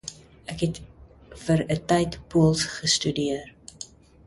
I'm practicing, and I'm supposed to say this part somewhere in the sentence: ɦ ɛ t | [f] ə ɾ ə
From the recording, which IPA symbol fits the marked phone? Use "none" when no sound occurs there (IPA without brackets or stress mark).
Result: f